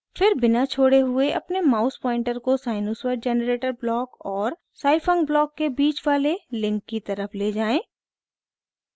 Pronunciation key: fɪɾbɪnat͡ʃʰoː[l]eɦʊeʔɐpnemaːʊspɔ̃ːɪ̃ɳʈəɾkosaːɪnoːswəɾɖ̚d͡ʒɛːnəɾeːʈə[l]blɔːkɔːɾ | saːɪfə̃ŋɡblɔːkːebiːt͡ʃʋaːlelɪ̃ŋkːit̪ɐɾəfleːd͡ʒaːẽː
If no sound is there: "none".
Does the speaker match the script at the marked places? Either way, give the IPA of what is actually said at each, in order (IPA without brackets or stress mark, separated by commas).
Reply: ɽ, ɾ